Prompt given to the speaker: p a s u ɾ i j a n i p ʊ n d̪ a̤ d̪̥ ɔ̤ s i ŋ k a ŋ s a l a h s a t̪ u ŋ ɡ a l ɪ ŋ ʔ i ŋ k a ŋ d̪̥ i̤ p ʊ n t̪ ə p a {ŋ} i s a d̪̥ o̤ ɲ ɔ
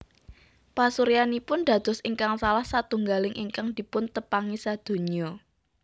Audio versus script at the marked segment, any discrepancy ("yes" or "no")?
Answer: no